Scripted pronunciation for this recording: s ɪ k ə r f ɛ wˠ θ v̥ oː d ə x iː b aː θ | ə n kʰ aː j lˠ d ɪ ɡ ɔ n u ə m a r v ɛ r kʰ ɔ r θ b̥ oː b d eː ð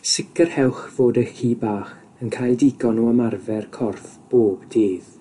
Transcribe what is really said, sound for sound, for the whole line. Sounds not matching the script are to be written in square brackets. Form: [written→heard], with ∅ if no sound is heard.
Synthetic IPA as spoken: s ɪ k ə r [f→h] ɛ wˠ [θ→χ] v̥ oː d ə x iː b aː [θ→χ] | ə n kʰ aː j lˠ d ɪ ɡ ɔ n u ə m a r v ɛ r kʰ ɔ r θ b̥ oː b d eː ð